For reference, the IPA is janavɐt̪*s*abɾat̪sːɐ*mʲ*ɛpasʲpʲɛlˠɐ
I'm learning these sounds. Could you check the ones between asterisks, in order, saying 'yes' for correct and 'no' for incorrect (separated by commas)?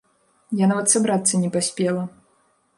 yes, no